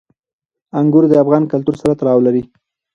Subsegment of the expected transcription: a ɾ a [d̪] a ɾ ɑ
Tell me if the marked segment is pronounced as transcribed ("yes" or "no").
no